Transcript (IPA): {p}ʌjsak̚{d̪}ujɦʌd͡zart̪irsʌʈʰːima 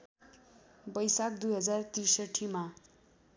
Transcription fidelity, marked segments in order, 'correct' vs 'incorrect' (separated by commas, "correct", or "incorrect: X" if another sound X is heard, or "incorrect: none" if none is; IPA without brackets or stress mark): incorrect: b, correct